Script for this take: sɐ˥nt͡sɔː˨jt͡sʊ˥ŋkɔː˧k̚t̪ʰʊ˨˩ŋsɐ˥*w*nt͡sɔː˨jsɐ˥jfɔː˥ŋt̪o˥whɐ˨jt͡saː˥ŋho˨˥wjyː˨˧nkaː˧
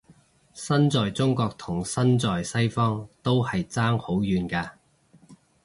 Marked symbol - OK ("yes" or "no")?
no